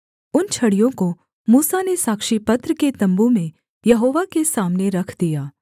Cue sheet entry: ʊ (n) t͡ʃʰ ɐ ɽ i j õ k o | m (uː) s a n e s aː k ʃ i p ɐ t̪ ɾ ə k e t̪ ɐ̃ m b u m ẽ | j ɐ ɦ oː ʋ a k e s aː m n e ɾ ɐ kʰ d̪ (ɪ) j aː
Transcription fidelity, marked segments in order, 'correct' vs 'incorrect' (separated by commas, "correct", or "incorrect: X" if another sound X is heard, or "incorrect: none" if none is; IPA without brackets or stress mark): correct, correct, incorrect: i